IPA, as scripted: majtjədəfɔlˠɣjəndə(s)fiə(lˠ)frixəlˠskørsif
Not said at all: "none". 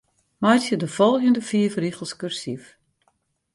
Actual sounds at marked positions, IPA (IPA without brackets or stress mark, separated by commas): none, none